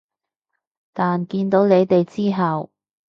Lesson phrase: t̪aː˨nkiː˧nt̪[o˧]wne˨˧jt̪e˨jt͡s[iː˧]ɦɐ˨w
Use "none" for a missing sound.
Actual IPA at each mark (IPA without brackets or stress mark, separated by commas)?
o˨˥, iː˥